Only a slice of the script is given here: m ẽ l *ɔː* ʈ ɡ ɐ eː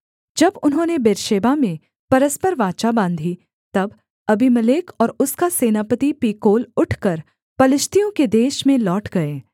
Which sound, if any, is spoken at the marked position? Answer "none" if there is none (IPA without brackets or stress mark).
ɔː